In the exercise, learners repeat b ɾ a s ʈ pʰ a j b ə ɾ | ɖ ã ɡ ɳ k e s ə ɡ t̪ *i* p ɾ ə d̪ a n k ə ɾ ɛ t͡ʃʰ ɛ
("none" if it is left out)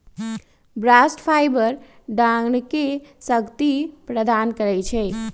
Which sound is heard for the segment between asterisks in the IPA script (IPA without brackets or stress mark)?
i